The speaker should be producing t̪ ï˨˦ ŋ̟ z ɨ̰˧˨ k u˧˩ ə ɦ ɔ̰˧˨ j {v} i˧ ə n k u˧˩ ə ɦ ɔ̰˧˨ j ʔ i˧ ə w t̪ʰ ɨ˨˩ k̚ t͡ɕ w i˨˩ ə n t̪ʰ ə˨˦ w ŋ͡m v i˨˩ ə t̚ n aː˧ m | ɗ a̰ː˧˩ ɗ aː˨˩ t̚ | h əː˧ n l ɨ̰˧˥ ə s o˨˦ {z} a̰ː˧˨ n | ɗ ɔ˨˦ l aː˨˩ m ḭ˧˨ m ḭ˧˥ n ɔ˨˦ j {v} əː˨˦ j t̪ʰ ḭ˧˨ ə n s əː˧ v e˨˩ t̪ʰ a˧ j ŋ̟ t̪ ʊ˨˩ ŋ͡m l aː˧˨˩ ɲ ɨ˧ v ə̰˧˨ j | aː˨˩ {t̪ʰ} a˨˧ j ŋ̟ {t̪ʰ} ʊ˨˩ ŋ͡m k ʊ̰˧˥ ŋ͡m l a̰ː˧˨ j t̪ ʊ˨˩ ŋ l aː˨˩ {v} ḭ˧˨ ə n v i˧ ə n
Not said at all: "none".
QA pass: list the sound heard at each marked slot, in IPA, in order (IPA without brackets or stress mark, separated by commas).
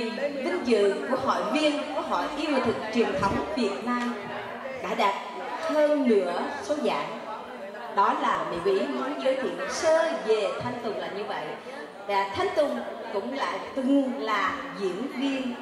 v, z, z, t̪ʰ, t̪, z